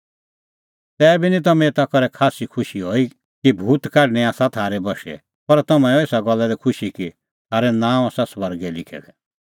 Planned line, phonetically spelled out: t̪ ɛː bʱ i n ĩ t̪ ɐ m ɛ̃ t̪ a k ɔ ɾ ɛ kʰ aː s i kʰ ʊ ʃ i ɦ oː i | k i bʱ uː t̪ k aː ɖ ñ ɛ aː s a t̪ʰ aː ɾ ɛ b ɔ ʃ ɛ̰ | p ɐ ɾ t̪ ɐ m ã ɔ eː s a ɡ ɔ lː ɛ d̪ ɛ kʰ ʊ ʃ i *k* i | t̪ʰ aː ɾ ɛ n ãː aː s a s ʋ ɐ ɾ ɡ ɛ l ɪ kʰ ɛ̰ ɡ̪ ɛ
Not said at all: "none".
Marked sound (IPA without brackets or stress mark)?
k